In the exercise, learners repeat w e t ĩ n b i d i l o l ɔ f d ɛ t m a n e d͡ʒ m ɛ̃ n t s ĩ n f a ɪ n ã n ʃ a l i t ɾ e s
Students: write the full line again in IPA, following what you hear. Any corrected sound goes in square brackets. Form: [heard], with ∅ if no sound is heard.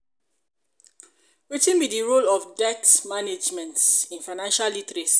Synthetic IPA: w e t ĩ n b i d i [ɹ] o l ɔ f d ɛ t m a n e d͡ʒ m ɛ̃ n t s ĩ n f a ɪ n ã n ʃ a l i t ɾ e s